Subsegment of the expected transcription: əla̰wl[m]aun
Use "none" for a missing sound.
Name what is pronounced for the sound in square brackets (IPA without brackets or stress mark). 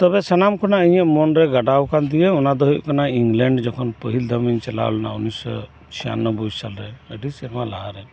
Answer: n